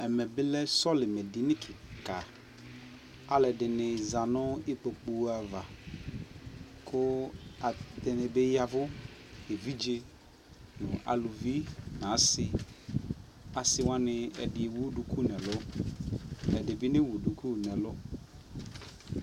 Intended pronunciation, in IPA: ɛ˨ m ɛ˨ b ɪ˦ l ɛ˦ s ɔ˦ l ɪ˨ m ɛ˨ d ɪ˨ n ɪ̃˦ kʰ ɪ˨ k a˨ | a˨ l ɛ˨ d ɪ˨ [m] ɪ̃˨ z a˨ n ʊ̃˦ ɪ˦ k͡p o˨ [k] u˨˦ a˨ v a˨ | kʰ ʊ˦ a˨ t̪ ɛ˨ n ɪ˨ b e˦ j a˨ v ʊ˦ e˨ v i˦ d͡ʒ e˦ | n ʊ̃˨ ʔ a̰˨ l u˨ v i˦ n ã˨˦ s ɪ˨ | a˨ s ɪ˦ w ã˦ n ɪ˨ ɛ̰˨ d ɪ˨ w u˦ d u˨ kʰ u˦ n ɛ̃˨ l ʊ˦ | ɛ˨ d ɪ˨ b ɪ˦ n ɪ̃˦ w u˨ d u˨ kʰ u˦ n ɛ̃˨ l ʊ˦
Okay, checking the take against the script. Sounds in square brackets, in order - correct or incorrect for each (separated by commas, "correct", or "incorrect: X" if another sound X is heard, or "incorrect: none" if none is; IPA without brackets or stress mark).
incorrect: n, incorrect: k͡p